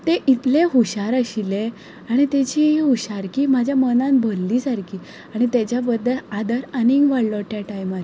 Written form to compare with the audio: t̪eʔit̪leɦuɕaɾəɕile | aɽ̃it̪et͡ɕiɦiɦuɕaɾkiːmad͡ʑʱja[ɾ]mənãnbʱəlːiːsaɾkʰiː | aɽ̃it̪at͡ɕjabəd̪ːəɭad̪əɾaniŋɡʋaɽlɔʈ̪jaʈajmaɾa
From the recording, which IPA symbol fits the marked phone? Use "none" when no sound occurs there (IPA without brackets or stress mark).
none